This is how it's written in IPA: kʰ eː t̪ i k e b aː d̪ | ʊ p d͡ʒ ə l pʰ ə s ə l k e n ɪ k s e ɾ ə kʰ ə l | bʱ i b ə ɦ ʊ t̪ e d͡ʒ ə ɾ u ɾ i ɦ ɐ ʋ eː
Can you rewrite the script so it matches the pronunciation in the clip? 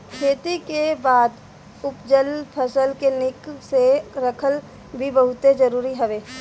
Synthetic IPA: kʰ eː t̪ i k e b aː d̪ | ʊ p d͡ʒ ə l pʰ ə s ə l k e n ɪ k s e ɾ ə kʰ ə l | bʱ i b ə ɦ ʊ t̪ e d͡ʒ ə ɾ uː ɾ i ɦ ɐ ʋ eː